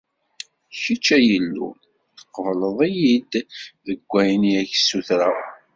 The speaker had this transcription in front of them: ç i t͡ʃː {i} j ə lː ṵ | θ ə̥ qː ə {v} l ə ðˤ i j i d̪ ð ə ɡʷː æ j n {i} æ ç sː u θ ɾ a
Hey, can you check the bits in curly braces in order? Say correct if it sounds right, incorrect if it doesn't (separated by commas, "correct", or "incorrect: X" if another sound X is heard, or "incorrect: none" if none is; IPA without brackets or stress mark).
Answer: incorrect: æ, correct, correct